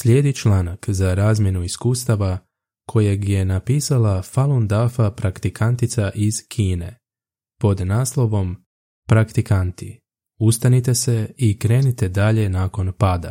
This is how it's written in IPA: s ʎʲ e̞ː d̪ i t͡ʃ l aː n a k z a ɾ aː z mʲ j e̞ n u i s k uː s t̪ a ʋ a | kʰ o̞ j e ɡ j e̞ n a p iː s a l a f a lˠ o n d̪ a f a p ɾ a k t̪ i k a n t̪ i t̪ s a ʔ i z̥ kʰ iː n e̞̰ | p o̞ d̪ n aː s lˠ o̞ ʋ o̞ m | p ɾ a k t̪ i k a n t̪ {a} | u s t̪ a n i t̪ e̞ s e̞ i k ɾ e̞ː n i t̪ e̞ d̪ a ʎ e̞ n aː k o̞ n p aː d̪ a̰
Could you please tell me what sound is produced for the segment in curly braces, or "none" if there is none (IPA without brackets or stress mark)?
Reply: i